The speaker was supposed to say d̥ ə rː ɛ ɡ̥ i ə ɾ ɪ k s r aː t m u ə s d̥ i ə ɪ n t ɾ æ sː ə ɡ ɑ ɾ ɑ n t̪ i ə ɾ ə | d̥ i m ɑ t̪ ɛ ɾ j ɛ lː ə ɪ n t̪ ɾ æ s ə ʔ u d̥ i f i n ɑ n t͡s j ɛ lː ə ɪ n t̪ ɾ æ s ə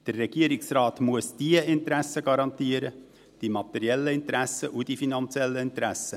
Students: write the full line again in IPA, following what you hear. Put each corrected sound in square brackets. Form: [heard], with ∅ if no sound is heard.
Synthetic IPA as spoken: d̥ ə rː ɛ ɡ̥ i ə ɾ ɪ k s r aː t m u ə s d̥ i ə ɪ n t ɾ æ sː ə ɡ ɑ ɾ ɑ n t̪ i ə ɾ ə | d̥ i m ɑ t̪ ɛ ɾ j ɛ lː ə ɪ n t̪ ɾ æ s ə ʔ u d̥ i f i n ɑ n t͡s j ɛ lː ə ɪ n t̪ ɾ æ s ə